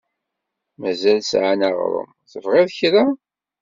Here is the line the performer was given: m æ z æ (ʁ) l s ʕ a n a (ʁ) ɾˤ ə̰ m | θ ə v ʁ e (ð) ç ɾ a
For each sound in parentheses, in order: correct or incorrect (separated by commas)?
incorrect, correct, correct